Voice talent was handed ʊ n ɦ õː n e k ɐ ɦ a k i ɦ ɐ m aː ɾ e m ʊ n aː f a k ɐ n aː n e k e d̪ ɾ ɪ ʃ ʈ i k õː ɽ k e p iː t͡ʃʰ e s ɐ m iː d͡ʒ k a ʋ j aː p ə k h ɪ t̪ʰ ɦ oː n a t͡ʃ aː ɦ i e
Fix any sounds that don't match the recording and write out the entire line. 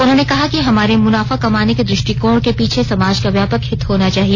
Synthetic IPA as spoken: ʊ n ɦ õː n e k ɐ ɦ a k i ɦ ɐ m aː ɾ e m ʊ n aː f a k ɐ m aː n e k e d̪ ɾ ɪ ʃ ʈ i k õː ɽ k e p iː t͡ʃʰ e s ɐ m aː d͡ʒ k a ʋ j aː p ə k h ɪ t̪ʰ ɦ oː n a t͡ʃ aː ɦ i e

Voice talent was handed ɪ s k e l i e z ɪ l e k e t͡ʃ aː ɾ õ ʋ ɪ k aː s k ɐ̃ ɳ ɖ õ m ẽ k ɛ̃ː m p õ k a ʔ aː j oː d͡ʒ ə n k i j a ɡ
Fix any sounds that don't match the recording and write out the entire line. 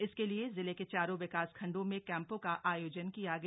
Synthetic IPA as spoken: ɪ s k e l i e z ɪ l e k e t͡ʃ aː ɾ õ ʋ ɪ k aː s kʰ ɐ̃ ɳ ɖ õ m ẽ k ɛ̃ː m p õ k a ʔ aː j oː d͡ʒ ə n k i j a ɡ

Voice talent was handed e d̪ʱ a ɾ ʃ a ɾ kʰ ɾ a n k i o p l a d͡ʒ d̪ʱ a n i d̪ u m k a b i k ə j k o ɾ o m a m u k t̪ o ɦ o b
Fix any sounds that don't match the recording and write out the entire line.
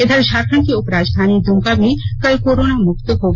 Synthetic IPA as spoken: e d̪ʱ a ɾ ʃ a ɾ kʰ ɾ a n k i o p ɾ a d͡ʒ d̪ʱ a n i d̪ u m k a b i k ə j k o ɾ o n a m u k t̪ o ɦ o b

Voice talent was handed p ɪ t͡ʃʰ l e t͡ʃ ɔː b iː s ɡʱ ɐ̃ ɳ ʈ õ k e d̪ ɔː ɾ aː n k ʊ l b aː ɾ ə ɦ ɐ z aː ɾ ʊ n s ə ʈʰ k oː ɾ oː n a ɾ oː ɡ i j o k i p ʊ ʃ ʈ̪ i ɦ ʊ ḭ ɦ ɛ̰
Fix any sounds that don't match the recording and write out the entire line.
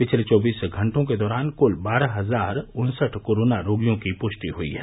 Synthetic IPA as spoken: p ɪ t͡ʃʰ l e t͡ʃ ɔː b iː s ɡʱ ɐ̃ ɳ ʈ õ k e d̪ ɔː ɾ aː n k ʊ l b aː ɾ a ɦ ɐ z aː ɾ ʊ n s ə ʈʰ k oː ɾ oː n a ɾ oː ɡ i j õ k i p ʊ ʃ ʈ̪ i ɦ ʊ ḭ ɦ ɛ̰

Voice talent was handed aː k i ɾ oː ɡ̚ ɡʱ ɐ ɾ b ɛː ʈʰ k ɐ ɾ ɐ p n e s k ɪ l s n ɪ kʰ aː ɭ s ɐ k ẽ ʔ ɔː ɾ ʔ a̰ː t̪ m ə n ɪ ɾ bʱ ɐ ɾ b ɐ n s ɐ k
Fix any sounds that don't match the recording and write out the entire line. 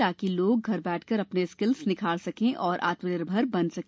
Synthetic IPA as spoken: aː k i l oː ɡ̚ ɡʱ ɐ ɾ b ɛː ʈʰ k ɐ ɾ ɐ p n e s k ɪ l s n ɪ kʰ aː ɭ s ɐ k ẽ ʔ ɔː ɾ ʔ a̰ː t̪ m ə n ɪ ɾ bʱ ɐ ɾ b ɐ n s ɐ k

